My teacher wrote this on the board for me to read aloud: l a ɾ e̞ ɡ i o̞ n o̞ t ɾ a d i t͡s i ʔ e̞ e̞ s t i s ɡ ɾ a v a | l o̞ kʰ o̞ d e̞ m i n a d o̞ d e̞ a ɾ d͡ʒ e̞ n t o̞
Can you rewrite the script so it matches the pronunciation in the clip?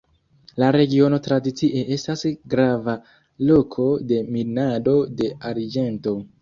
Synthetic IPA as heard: l a ɾ e̞ ɡ i o̞ n o̞ t ɾ a d i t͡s i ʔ e̞ e̞ s t a s ɡ ɾ a v a | l o̞ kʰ o̞ d e̞ m i n a d o̞ d e̞ a ɾ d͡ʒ e̞ n t o̞